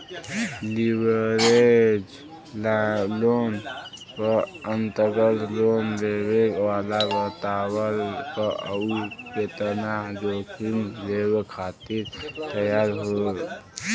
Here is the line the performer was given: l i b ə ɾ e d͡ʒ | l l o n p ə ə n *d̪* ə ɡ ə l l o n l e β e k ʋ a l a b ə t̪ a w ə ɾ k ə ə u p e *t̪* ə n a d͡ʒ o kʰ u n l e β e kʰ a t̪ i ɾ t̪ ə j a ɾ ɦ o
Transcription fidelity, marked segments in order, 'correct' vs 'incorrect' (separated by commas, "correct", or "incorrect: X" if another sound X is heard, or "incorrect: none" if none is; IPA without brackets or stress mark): incorrect: t̪, correct